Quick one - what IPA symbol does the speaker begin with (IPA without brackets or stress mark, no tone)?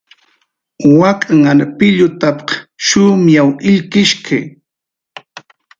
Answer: w